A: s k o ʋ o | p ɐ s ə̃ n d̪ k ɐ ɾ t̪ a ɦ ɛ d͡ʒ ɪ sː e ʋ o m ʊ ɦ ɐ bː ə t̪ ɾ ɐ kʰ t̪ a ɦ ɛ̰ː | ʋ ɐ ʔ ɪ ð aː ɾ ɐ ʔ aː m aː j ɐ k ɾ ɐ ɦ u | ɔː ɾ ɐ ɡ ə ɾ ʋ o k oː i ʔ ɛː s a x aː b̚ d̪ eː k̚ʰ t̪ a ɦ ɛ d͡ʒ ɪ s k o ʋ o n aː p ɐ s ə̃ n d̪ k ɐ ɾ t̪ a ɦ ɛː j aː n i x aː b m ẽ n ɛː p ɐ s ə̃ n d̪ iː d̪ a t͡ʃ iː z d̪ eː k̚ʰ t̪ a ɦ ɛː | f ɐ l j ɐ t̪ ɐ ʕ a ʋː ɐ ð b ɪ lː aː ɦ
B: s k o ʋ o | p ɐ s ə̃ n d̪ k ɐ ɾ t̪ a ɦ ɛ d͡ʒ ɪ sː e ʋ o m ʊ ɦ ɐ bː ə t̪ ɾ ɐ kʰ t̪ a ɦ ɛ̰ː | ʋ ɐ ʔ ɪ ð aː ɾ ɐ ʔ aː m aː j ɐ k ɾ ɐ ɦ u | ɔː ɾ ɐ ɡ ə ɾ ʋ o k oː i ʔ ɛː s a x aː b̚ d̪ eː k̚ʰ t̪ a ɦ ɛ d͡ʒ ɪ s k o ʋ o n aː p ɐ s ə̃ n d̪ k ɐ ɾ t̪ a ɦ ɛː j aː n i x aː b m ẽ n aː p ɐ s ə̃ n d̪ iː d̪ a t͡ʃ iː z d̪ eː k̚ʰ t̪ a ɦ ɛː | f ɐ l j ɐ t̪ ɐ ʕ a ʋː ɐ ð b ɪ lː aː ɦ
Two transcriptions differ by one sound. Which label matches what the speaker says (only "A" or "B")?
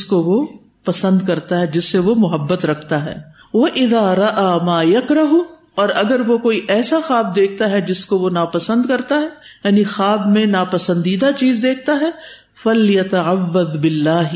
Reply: B